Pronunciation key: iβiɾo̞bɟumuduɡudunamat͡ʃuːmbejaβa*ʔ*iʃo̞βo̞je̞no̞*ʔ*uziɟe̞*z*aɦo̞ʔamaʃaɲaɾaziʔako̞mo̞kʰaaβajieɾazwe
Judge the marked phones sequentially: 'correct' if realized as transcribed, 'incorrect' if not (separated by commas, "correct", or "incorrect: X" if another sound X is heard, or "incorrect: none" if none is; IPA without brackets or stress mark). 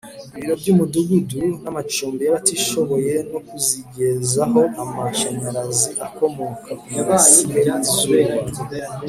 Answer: incorrect: t, incorrect: k, correct